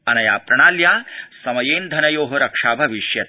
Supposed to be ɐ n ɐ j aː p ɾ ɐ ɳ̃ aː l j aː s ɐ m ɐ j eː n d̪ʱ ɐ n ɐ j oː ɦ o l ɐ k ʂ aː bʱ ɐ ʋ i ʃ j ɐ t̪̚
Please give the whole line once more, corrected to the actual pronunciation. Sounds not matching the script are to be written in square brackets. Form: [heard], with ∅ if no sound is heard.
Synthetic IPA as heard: ɐ n ɐ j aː p ɾ ɐ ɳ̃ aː l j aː s ɐ m ɐ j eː n d̪ʱ ɐ n ɐ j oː ɦ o [ɾ] ɐ k ʂ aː bʱ ɐ ʋ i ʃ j ɐ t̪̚